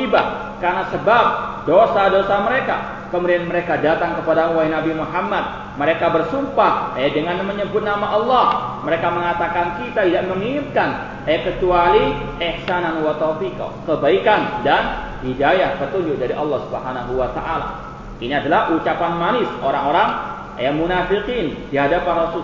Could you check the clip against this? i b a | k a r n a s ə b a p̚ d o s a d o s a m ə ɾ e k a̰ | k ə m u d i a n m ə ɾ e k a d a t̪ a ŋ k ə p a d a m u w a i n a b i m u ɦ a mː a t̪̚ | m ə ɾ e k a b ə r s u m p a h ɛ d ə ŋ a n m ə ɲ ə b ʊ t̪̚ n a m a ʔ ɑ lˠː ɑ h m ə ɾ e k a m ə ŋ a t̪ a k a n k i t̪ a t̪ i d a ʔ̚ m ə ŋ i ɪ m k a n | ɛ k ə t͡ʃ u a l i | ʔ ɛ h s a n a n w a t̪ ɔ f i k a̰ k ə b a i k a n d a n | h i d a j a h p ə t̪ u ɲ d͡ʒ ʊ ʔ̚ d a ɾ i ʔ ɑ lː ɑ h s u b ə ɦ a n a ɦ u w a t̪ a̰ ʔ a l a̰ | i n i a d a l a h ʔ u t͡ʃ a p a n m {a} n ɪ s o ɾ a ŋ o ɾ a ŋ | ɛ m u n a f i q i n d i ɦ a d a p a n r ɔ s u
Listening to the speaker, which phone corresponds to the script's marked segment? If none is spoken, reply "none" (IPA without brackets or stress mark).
a